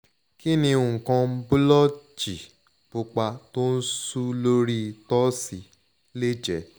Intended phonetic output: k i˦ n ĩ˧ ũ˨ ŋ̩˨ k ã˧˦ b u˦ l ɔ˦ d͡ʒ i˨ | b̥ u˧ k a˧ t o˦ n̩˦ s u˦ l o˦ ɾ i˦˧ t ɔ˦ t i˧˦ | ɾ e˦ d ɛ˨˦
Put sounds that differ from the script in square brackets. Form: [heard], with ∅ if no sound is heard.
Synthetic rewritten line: k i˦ n ĩ˧ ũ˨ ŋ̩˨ k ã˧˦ b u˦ l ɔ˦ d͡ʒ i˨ | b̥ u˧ [k͡p] a˧ t o˦ n̩˦ s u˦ l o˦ ɾ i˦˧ t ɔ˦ [s] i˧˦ | [l] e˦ [d͡ʒ] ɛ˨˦